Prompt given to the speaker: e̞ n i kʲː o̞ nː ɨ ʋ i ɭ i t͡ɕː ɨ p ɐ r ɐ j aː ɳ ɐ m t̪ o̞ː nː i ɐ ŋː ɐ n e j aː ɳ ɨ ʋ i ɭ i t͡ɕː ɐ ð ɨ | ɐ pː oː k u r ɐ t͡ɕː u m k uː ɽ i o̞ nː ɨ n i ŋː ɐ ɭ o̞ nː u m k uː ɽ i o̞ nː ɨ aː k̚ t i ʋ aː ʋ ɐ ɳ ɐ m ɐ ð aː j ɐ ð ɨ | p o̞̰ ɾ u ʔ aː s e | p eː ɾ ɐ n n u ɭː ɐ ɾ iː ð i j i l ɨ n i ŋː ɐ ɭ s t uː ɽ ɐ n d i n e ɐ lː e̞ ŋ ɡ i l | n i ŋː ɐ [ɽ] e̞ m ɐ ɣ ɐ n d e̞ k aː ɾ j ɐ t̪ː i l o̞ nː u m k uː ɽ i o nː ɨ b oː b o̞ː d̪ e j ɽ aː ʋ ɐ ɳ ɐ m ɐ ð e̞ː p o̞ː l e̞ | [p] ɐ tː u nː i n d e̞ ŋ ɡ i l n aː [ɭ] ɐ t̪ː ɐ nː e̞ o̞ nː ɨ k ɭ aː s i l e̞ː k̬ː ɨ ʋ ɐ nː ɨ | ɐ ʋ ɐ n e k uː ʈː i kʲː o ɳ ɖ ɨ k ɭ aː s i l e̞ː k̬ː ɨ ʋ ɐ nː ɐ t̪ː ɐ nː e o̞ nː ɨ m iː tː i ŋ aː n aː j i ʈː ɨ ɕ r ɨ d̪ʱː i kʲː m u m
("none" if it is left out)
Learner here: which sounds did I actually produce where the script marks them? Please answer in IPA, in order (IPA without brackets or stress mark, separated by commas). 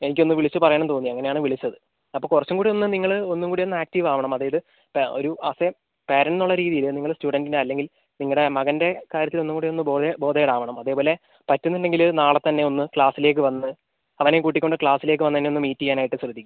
ɽ, p, ɭ